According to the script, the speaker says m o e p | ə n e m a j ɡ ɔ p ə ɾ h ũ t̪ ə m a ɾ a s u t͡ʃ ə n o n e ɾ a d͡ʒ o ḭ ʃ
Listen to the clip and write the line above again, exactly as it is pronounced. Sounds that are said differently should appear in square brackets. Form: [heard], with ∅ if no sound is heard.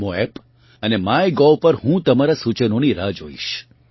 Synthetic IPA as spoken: m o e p | ə n e m a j ɡ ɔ p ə ɾ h ũ t̪ ə m a ɾ a s u t͡ʃ ə n o n [i] ɾ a d͡ʒ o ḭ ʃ

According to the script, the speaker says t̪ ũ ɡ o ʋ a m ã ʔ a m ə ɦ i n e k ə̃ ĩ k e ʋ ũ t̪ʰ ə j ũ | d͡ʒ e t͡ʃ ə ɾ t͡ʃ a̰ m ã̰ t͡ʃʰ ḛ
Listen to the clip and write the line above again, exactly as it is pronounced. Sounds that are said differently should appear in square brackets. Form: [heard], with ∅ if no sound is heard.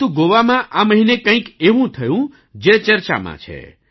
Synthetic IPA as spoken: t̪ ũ ɡ o ʋ a m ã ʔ a m ə ɦ i n e k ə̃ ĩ k e ʋ ũ t̪ʰ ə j ũ | d͡ʒ e t͡ʃ ə ɾ t͡ʃ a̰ m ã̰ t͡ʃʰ ḛ

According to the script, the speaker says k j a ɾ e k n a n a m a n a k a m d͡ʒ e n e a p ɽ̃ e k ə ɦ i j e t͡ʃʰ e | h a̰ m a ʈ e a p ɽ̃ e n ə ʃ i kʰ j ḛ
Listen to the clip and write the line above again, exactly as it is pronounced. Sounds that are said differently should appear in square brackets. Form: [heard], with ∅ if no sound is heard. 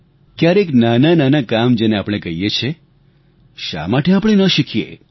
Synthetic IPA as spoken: k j a ɾ e k n a n a [n] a n a k a m d͡ʒ e n e a p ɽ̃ e k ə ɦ i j e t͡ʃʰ e | [ʃ] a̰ m a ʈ e a p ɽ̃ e n ə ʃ i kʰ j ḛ

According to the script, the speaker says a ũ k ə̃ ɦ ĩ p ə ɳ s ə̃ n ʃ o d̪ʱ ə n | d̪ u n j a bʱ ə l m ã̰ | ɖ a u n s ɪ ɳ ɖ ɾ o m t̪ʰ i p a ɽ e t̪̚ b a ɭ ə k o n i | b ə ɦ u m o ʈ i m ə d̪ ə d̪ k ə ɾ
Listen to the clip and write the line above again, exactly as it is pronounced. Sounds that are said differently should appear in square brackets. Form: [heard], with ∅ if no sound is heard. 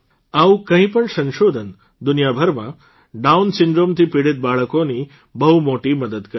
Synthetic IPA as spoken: a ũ k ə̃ ɦ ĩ p ə ɳ s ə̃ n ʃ o d̪ʱ ə n | d̪ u n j a bʱ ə [ɾ] m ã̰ | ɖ a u n s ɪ ɳ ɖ ɾ o m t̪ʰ i p [i] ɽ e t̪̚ b a ɭ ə k o n i | b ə ɦ u m o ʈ i m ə d̪ ə d̪ k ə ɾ

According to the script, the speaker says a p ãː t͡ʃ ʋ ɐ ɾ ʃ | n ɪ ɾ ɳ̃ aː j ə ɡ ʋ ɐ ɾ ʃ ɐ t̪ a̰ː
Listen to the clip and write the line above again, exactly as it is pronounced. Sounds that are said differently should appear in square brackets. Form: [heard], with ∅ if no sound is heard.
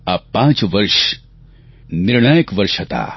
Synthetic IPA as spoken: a p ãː t͡ʃ ʋ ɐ ɾ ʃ | n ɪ ɾ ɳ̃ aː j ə [k] ʋ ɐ ɾ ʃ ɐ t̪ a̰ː

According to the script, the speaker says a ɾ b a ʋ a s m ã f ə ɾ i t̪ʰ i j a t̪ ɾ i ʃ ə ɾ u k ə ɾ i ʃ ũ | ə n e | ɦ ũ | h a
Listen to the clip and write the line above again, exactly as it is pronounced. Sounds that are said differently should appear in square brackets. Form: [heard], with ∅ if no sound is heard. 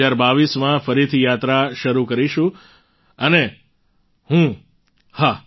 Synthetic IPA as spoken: a ɾ b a ʋ [i] s m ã f ə ɾ i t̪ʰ i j a t̪ ɾ [a] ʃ ə ɾ u k ə ɾ i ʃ ũ | ə n e | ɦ ũ | h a

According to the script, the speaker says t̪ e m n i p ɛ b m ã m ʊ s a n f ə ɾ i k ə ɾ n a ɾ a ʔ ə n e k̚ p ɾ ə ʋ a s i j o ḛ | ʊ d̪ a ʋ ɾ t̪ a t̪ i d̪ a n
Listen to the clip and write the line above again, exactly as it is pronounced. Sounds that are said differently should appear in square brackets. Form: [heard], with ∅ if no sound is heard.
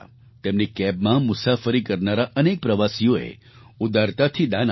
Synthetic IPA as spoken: t̪ e m n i [k] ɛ b m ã m ʊ s a [∅] f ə ɾ i k ə ɾ n a ɾ a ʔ ə n e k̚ p ɾ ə ʋ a s i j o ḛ | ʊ d̪ a [∅] ɾ t̪ a [t̪ʰ] i d̪ a n

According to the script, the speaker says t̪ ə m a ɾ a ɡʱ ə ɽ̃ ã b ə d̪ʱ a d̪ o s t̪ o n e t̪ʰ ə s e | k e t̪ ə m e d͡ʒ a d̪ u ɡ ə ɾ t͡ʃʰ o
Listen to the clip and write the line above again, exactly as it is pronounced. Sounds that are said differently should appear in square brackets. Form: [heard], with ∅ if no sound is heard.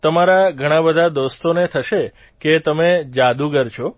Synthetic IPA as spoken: t̪ ə m a ɾ a ɡʱ ə ɽ̃ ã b ə d̪ʱ a d̪ o s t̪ o n e t̪ʰ ə [ʃ] e | k e t̪ ə m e d͡ʒ a d̪ u ɡ ə ɾ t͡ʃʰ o

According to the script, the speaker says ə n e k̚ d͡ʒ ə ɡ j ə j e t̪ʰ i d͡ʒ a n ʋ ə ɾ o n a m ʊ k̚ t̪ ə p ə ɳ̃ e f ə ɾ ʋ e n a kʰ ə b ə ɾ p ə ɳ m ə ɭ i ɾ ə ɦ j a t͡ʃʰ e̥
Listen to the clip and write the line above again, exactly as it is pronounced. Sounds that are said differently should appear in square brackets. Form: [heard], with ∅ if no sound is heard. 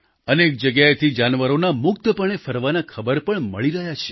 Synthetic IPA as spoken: ə n e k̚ d͡ʒ ə ɡ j [a] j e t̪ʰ i d͡ʒ a n ʋ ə ɾ o n a m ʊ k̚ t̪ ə p ə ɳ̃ e f ə ɾ ʋ [a] n a kʰ ə b ə ɾ p ə ɳ m ə ɭ i ɾ ə ɦ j a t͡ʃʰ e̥

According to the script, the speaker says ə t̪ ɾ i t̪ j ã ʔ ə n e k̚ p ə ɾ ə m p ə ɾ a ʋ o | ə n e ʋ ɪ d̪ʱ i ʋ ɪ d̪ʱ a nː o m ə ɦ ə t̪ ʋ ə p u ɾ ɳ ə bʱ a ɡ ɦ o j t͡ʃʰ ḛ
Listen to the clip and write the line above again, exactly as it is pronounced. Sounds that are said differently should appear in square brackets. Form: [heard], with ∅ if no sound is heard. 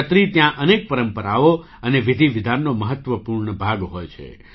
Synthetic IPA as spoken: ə t̪ ɾ i t̪ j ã ʔ ə n e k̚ p ə ɾ ə m p ə ɾ a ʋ o | ə n e ʋ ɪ d̪ʱ i ʋ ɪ d̪ʱ a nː o m ə ɦ ə t̪ ʋ ə p u ɾ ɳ ə bʱ a ɡ ɦ o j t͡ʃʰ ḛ

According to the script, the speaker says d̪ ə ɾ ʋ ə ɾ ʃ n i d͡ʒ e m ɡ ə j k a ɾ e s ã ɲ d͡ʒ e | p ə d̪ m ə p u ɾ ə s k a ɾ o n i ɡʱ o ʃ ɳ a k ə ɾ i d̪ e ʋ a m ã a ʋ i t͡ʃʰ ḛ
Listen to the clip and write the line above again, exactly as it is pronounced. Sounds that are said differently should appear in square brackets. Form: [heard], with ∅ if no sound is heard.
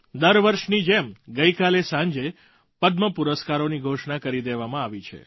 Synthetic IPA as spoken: d̪ ə ɾ ʋ ə ɾ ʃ n i d͡ʒ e m ɡ ə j k a [l] e s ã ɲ d͡ʒ e | p ə d̪ m ə p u ɾ ə s k a ɾ o n i ɡʱ o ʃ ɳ a k ə ɾ i d̪ e ʋ a m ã a ʋ i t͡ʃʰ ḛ

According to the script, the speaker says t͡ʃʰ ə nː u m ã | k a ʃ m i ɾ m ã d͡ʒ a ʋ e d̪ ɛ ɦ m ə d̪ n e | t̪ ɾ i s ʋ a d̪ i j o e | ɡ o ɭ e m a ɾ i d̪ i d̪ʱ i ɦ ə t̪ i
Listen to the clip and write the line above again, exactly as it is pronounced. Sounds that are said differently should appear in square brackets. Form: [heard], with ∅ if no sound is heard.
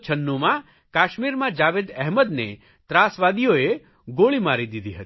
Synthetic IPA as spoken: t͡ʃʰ ə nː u m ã | k a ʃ m i ɾ m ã d͡ʒ a ʋ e d̪ ɛ ɦ m ə d̪ n e | t̪ ɾ [a] s ʋ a d̪ i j o e | ɡ o ɭ [i] m a ɾ i d̪ i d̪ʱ i ɦ ə t̪ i

